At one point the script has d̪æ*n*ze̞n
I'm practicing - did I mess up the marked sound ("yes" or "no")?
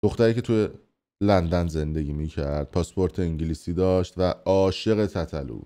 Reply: no